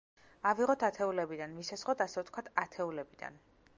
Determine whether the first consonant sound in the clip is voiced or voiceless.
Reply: voiced